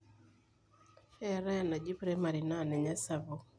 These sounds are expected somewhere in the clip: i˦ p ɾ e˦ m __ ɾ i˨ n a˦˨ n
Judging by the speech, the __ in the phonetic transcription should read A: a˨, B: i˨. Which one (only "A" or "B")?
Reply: A